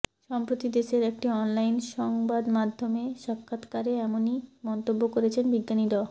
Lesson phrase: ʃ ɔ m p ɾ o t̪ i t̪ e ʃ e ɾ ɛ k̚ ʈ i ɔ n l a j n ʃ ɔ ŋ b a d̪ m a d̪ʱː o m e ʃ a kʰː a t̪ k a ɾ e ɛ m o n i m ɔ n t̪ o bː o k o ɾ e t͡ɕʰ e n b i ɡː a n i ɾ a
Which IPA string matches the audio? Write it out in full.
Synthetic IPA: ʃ ɔ m p ɾ o t̪ i d̪ e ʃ e ɾ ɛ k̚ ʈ i ɔ n l a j n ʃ ɔ ŋ b a d̪ m a d̪ʱː o m e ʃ a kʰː a t̪ k a ɾ e ɛ m o n i m ɔ n t̪ o bː o k o ɾ e t͡ɕʰ e n b i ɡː a n i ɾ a